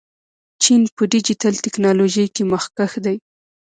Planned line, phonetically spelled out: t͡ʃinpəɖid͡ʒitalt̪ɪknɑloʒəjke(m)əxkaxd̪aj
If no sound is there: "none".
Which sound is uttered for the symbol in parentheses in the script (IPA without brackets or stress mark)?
m